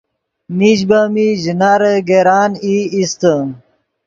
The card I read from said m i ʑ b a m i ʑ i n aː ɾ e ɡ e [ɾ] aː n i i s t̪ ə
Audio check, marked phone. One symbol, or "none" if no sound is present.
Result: ɾ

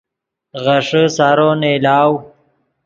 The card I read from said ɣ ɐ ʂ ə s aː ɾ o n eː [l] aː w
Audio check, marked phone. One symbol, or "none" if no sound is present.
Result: l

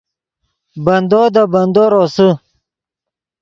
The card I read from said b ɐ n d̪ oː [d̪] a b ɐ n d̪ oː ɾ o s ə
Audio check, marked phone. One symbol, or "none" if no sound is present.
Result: d̪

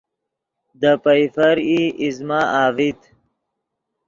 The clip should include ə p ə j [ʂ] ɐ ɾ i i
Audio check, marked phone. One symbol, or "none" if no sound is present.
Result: f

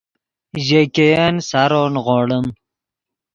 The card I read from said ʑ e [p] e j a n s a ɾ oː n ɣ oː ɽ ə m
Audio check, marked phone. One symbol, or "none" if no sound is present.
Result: k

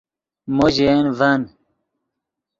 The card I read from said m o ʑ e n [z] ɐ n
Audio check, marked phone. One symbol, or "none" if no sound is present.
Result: v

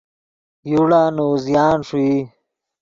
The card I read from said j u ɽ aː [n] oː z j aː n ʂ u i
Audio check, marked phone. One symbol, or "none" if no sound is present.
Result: n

